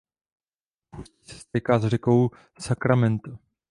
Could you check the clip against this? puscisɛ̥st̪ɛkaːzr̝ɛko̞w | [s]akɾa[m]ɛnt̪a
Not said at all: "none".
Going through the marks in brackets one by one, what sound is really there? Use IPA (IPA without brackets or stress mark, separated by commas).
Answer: s, m